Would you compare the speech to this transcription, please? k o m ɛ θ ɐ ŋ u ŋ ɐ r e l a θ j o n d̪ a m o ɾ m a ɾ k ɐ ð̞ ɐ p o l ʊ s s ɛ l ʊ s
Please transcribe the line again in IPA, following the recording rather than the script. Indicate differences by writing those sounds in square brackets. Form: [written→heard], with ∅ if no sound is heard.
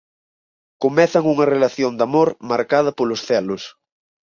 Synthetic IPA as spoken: k o m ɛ θ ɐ ŋ u ŋ ɐ r e l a θ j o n d̪ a m o ɾ m a ɾ k [ɐ→a] ð̞ ɐ p o l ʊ s [s→θ] ɛ l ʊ s